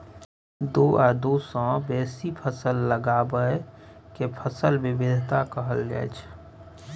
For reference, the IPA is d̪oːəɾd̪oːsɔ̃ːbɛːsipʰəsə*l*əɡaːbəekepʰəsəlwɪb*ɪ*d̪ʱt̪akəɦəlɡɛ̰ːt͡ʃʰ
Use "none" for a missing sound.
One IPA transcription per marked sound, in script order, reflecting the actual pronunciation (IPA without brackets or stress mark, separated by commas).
lː, ɪ